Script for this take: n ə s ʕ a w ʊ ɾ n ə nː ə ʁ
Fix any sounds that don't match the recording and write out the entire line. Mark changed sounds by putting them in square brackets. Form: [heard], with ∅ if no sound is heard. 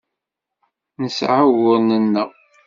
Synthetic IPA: n ə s ʕ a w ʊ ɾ n ə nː ə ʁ